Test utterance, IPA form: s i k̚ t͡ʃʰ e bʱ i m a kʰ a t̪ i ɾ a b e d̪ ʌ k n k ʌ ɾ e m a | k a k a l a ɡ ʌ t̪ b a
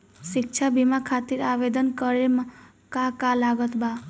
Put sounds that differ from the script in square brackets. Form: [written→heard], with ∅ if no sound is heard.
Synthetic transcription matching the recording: s i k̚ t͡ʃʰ [e→a] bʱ i m a kʰ a t̪ i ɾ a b e d̪ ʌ [k→∅] n k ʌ ɾ e m a | k a k a l a ɡ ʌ t̪ b a